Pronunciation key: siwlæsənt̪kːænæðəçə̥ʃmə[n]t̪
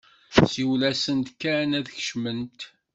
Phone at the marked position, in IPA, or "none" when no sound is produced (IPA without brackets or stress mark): n